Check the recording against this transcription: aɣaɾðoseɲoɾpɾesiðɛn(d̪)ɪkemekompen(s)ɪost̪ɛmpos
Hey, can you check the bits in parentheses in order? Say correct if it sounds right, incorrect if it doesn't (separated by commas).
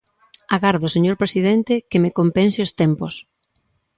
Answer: incorrect, correct